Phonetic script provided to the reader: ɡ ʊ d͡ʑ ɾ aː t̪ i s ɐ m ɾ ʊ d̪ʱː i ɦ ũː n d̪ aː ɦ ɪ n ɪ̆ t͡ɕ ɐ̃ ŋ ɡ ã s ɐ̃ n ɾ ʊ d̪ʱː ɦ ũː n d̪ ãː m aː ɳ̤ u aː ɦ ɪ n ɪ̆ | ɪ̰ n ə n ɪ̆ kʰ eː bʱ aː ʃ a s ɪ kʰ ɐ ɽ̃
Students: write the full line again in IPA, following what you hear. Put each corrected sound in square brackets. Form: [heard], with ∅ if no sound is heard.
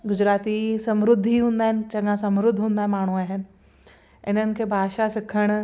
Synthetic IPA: ɡ ʊ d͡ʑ ɾ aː t̪ i s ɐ m ɾ ʊ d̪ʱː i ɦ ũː n d̪ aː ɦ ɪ n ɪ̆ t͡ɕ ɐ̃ ŋ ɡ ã s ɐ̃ [m] ɾ ʊ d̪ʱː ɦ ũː n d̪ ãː m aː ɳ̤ u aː ɦ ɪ n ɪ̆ | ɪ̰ n ə n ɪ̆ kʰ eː bʱ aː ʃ a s ɪ kʰ [ə] ɽ̃